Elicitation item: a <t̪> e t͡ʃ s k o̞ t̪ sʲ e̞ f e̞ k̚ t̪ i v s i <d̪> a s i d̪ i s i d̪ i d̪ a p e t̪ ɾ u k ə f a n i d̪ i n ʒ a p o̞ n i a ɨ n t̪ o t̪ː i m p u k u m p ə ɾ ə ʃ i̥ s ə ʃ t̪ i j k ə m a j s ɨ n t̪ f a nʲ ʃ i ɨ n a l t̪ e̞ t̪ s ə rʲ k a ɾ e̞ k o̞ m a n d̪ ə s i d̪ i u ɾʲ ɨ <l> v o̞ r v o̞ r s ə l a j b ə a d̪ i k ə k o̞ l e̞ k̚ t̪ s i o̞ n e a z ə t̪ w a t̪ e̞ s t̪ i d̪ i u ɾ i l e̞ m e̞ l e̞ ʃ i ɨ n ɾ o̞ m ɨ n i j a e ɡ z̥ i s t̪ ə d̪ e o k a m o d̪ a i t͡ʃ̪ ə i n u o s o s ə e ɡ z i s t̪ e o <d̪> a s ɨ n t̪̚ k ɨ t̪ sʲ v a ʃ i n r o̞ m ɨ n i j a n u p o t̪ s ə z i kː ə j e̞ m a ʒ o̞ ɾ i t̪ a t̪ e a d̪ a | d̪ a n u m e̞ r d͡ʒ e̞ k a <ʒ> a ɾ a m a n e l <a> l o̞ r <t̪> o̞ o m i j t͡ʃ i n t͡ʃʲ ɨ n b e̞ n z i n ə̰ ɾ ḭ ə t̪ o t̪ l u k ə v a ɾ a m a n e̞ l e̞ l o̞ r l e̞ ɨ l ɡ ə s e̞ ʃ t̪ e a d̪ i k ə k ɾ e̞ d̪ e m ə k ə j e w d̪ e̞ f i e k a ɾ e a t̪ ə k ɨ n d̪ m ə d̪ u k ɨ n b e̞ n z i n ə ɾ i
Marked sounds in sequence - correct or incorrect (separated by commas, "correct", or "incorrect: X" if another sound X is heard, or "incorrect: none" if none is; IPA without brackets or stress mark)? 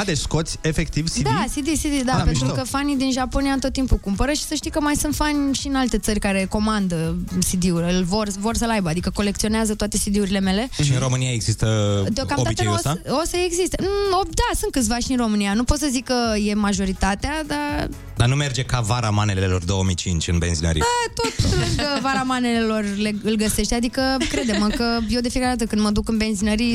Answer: incorrect: d̪, correct, correct, correct, incorrect: v, incorrect: e, incorrect: d̪